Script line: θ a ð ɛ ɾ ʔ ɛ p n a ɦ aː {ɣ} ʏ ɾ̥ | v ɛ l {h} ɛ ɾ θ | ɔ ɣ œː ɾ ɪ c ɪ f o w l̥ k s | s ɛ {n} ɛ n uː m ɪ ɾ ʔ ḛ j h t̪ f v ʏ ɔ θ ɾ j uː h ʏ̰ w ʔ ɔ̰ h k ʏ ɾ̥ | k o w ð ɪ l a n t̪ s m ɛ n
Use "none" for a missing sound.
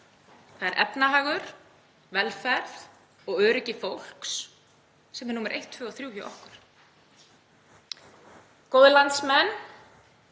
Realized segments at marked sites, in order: ɣ, f, m

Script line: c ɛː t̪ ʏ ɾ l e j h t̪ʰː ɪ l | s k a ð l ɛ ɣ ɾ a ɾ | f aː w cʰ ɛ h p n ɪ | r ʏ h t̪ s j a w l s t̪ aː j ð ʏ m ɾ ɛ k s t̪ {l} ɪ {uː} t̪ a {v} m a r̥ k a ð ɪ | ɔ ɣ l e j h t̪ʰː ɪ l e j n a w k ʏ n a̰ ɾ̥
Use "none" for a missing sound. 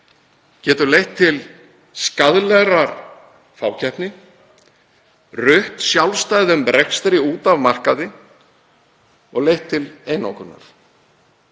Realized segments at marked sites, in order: ɾ, uː, v

